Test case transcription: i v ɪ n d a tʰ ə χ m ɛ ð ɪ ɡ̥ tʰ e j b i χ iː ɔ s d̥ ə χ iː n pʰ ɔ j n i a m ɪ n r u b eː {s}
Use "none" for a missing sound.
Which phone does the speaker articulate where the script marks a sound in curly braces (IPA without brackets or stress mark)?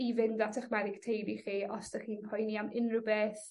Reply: θ